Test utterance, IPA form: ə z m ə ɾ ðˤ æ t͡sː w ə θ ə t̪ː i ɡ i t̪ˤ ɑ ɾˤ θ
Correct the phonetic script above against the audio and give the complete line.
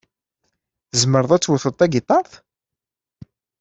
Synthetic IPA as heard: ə z m ə ɾ ðˤ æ t͡sː w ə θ ə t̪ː æ ɡ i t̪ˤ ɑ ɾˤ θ